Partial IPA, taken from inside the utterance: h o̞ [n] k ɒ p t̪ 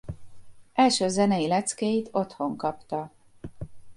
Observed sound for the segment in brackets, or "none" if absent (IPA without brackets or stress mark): ŋ